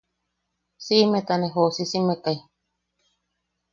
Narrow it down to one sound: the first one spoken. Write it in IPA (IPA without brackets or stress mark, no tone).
s